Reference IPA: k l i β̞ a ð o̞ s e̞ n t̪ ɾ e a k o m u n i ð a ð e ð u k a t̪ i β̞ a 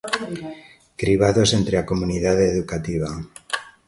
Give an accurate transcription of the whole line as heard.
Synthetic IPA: k ɾ i β̞ a ð o̞ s e̞ n t̪ ɾ e a k o m u n i ð a ð e ð u k a t̪ i β̞ a